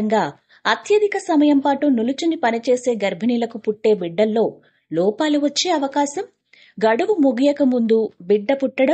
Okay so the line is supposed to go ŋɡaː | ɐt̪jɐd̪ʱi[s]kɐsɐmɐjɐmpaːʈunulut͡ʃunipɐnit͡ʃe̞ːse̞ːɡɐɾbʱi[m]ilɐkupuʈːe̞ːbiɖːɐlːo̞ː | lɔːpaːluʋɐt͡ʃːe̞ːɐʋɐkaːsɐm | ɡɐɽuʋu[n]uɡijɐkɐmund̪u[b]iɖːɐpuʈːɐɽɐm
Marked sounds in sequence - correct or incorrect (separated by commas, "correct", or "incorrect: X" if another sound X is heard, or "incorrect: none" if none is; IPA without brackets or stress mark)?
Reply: incorrect: none, incorrect: n, incorrect: m, correct